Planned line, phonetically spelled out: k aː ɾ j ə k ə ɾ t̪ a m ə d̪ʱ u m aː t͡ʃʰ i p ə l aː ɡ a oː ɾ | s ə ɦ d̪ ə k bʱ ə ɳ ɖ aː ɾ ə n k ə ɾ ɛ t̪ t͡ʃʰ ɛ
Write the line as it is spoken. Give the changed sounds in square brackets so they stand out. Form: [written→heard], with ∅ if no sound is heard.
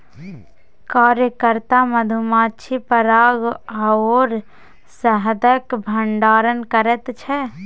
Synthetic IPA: k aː ɾ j ə k ə ɾ t̪ a m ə d̪ʱ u m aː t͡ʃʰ i p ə [l→ɾ] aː ɡ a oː ɾ | s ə ɦ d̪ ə k bʱ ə ɳ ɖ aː ɾ ə n k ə ɾ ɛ t̪ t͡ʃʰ ɛ

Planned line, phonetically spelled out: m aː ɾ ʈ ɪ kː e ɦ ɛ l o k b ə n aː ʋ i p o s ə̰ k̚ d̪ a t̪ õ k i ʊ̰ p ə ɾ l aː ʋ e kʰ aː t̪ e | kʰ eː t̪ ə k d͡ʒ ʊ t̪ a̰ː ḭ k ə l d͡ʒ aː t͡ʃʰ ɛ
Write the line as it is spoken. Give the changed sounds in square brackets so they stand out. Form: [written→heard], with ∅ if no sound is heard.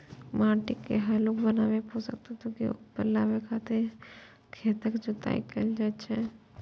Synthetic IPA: m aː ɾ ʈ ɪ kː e ɦ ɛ l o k b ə n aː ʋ [i→e] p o s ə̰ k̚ [d̪→t̪] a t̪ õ k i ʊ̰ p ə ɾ l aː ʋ e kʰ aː t̪ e | kʰ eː t̪ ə k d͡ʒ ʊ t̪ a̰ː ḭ k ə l d͡ʒ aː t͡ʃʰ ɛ

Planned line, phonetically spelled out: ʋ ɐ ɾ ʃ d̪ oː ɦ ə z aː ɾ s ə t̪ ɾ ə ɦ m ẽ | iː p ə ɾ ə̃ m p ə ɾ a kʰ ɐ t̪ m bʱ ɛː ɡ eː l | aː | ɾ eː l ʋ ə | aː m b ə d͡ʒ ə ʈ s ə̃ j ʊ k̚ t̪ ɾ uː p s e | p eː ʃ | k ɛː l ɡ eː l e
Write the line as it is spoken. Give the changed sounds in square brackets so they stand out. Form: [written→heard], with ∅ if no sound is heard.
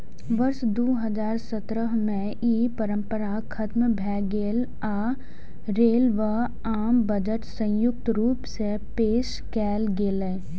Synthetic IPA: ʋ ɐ ɾ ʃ d̪ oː ɦ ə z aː ɾ s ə t̪ ɾ ə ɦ m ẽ | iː p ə ɾ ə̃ m p ə ɾ a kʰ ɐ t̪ m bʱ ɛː ɡ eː l | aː | ɾ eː l ʋ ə | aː m b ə d͡ʒ ə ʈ s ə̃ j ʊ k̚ t̪ ɾ uː p s e | p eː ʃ | k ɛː l ɡ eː l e

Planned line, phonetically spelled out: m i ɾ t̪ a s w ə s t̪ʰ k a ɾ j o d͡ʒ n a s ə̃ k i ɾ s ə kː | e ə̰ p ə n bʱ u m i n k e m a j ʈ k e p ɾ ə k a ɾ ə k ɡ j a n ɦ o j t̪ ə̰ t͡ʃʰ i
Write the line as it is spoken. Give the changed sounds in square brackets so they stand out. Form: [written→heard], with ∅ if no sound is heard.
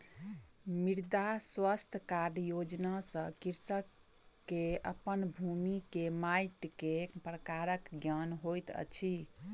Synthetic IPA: m i ɾ [t̪→d̪] a s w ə s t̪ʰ k a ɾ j o d͡ʒ n a s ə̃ k i ɾ s ə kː | e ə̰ p ə n bʱ u m i [n→∅] k e m a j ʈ k e p ɾ ə k a ɾ ə k ɡ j a n ɦ o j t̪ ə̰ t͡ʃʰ i

